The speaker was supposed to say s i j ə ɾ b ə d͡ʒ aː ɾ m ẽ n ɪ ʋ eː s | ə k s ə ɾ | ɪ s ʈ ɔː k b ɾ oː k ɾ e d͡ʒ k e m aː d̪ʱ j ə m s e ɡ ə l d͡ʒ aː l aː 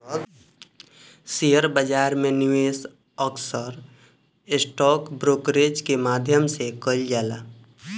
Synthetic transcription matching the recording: s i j ə ɾ b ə d͡ʒ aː ɾ m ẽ n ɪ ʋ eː s | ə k s ə ɾ | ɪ s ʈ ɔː k b ɾ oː k ɾ e d͡ʒ k e m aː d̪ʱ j ə m s e k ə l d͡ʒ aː l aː